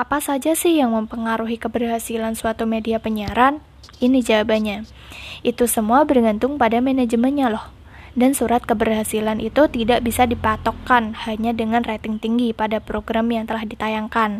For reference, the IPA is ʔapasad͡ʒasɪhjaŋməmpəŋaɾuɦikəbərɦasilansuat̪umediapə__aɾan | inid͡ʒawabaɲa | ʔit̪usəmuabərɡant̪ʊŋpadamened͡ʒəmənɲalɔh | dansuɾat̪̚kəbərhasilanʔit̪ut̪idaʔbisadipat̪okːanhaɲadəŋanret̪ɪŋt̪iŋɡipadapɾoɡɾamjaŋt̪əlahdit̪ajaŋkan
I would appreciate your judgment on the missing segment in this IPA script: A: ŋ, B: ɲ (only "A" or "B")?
B